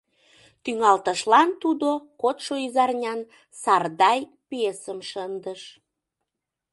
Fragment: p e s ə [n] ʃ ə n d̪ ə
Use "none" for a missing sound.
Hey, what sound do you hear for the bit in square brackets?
m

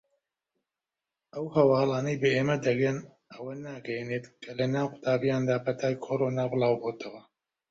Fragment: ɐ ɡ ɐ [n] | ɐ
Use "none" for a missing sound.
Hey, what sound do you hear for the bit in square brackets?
n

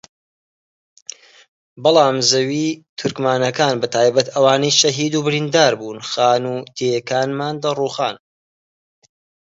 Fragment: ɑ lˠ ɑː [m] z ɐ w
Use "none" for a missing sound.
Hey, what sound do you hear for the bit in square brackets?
m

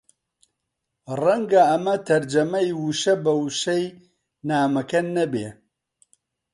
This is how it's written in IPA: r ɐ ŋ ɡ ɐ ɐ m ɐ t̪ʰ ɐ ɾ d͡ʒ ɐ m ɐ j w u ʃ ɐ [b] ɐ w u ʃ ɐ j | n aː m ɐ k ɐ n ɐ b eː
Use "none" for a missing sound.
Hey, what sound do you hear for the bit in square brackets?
b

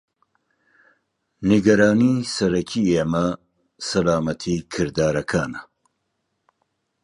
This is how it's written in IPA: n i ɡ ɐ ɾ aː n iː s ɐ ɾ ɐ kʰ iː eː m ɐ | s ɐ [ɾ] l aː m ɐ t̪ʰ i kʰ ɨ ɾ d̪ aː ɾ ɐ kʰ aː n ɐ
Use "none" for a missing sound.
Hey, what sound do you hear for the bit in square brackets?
none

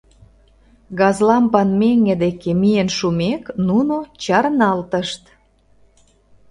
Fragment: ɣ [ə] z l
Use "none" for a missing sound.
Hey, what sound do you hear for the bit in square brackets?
ɑ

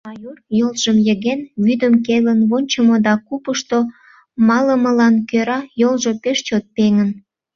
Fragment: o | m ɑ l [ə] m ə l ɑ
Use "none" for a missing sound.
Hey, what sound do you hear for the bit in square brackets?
ə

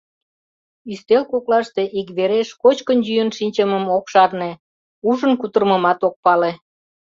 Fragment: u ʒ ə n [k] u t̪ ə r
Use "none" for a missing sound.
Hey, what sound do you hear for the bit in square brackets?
k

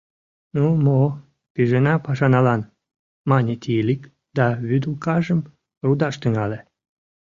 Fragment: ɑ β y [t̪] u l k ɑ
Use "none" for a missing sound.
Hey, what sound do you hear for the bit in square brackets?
d̪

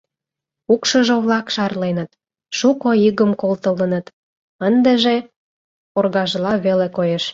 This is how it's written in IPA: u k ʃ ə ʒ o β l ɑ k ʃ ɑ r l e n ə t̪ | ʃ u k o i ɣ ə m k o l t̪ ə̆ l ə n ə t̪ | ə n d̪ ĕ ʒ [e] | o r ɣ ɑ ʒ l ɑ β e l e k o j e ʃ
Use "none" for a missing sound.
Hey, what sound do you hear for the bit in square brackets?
e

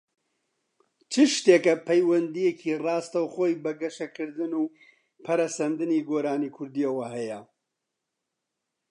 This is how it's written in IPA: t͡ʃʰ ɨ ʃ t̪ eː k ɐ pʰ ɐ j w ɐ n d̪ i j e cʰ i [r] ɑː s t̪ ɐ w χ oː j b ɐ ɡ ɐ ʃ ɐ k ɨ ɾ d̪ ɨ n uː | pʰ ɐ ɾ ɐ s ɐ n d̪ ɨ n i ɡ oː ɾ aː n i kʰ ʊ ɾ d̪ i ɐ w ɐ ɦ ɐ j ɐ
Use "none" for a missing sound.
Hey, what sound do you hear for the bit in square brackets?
r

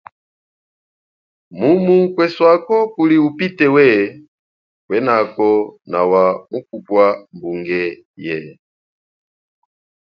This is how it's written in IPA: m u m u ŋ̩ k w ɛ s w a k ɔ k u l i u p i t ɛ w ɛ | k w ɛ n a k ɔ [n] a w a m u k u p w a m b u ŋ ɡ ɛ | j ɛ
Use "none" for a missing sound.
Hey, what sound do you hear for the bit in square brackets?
n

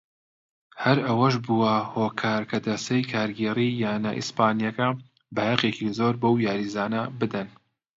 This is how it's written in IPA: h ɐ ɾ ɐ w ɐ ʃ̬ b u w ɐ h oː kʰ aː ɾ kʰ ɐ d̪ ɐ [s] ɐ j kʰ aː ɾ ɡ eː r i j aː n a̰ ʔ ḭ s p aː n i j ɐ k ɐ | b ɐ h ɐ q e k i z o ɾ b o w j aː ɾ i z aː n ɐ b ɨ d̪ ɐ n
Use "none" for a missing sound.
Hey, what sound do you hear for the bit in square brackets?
s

